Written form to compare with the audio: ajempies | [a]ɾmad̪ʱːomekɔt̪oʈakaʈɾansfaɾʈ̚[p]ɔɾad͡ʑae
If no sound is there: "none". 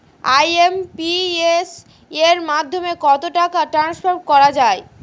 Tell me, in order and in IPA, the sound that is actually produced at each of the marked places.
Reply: e, k

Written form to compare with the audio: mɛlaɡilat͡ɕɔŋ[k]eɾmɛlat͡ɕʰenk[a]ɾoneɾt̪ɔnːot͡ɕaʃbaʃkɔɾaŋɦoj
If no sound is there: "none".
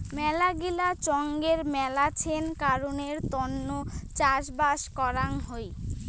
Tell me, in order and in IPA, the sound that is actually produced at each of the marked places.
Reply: ɡ, a

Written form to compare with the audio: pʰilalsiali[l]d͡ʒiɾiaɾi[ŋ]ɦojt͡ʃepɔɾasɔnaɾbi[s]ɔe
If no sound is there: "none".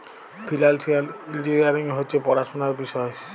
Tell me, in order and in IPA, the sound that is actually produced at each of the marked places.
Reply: l, ŋ, s

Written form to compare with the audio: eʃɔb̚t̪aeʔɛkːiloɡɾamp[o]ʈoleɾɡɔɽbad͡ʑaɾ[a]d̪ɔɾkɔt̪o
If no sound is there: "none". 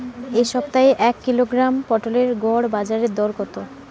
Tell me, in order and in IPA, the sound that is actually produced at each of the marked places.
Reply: ɔ, e

